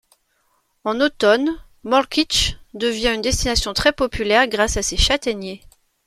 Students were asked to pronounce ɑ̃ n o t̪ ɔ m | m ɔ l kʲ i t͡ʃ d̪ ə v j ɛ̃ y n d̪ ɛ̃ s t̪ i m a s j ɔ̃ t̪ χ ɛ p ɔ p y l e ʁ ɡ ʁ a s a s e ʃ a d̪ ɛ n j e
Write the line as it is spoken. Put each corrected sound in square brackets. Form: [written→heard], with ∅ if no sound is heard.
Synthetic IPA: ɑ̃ n o t̪ ɔ [m→n] | m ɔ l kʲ i t͡ʃ d̪ ə v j ɛ̃ y n d̪ [ɛ̃→ɛ] s t̪ i [m→n] a s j ɔ̃ t̪ χ ɛ p ɔ p y l [e→ɛ] ʁ ɡ ʁ a s a s e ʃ a [d̪→t̪] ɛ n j e